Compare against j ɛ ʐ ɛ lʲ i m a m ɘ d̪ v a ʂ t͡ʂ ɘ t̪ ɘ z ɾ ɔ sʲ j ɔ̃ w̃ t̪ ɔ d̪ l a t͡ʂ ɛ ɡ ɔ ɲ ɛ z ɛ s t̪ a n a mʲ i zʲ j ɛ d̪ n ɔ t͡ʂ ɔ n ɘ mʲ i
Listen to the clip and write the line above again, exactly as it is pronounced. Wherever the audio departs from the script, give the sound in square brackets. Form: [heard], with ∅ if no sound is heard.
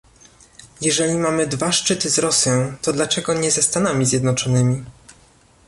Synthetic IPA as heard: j ɛ ʐ ɛ lʲ i m a m ɘ d̪ v a ʂ t͡ʂ ɘ t̪ ɘ z ɾ ɔ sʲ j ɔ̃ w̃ t̪ ɔ d̪ l a t͡ʂ ɛ ɡ ɔ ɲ ɛ z ɛ s t̪ a n a mʲ i zʲ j ɛ d̪ n ɔ t͡ʂ ɔ n ɘ mʲ i